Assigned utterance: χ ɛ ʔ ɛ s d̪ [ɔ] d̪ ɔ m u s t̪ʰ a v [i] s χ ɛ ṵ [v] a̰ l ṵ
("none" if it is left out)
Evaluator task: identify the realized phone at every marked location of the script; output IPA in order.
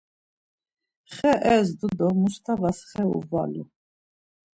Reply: u, a, v

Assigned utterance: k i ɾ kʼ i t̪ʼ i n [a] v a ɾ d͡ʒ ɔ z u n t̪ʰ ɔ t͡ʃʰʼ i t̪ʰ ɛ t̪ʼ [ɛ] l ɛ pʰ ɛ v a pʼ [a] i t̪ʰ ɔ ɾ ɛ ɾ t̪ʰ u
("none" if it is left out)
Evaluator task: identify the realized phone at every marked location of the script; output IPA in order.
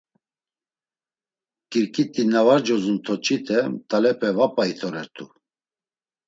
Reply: a, a, a

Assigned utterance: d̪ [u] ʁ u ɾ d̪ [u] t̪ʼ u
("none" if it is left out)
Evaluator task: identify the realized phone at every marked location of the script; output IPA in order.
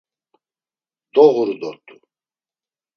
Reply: ɔ, ɔ

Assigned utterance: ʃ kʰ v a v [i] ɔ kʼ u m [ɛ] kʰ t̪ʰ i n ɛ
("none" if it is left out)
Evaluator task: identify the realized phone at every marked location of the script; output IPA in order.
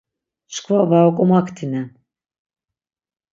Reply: a, a

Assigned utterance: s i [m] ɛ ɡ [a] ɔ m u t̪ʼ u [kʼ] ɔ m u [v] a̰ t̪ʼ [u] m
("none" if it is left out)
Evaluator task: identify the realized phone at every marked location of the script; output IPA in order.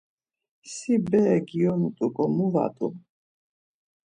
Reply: b, i, kʼ, v, u

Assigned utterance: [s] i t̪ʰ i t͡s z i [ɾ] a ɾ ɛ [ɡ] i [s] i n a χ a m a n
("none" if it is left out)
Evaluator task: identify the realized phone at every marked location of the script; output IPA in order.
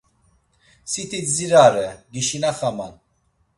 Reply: s, ɾ, ɡ, ʃ

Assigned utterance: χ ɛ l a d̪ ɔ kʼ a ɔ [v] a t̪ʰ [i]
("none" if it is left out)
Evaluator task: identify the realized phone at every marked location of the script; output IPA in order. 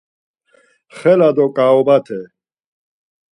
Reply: b, ɛ

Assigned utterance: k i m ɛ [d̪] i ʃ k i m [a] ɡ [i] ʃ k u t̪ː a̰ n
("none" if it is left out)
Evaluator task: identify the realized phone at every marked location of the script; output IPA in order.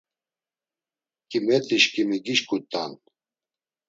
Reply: t̪, i, i

